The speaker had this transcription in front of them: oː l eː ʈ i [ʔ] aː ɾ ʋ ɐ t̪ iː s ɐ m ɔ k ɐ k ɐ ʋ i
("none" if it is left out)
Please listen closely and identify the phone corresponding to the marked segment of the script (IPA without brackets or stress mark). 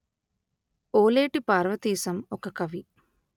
p